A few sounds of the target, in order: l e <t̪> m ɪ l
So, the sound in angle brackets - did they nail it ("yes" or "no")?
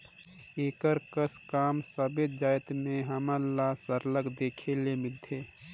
no